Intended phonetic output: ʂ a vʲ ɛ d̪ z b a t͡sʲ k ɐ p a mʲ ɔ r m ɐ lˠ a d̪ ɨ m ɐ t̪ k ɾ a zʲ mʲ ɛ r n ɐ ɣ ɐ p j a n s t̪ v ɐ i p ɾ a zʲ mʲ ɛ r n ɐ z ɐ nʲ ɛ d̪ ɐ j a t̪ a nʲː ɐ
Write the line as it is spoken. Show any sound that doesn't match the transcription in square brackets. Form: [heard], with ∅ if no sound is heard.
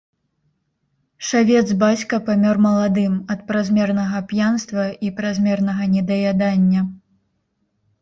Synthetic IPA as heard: ʂ a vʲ ɛ d̪ z b a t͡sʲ k ɐ p a mʲ ɔ r m ɐ lˠ a d̪ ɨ m ɐ t̪ [p] ɾ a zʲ mʲ ɛ r n ɐ ɣ ɐ p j a n s t̪ v ɐ i p ɾ a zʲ mʲ ɛ r n ɐ [ɣ] ɐ nʲ ɛ d̪ ɐ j a [d̪] a nʲː ɐ